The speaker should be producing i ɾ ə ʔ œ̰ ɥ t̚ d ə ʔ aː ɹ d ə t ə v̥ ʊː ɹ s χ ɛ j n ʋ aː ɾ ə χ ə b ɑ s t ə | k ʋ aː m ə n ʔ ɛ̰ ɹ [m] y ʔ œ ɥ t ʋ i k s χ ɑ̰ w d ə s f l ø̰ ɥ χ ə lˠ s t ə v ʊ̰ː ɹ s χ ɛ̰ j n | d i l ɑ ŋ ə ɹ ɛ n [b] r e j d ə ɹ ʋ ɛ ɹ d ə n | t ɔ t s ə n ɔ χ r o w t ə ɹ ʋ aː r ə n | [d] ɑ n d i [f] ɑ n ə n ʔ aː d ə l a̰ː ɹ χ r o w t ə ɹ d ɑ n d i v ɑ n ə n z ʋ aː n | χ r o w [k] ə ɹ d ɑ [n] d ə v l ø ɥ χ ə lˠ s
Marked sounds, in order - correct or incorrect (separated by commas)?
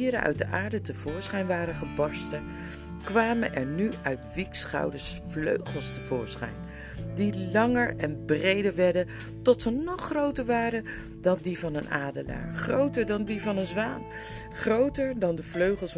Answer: incorrect, correct, correct, incorrect, incorrect, correct